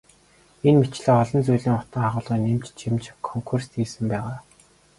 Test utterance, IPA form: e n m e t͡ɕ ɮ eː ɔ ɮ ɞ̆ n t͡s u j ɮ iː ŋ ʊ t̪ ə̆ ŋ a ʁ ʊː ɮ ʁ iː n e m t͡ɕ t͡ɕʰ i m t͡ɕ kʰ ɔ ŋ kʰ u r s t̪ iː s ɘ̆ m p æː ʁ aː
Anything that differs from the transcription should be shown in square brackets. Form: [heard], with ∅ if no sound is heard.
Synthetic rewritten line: e n m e t͡ɕ ɮ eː ɔ ɮ ɞ̆ n t͡s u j ɮ iː ŋ ʊ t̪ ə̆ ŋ a ʁ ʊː ɮ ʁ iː n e m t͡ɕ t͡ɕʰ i m t͡ɕ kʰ ɔ ŋ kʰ u r s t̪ iː s ɘ̆ m p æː ʁ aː